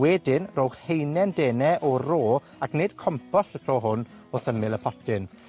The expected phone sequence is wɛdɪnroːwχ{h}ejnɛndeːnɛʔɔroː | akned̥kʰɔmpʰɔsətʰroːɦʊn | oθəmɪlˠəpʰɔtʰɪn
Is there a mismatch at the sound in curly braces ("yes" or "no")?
no